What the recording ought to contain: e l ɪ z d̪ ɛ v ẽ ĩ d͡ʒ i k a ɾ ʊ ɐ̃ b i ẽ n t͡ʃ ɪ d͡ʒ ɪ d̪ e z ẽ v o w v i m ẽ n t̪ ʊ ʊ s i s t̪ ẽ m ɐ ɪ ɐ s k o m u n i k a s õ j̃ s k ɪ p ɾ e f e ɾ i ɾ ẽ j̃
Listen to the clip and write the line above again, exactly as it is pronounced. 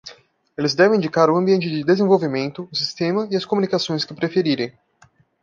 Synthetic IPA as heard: e l ɪ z d̪ ɛ v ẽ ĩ d͡ʒ i k a ɾ ʊ ɐ̃ b i ẽ n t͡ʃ ɪ d͡ʒ ɪ d̪ e z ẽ v o w v i m ẽ n t̪ ʊ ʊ s i s t̪ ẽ m ɐ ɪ ɐ s k o m u n i k a s õ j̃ s k ɪ p ɾ e f e ɾ i ɾ ẽ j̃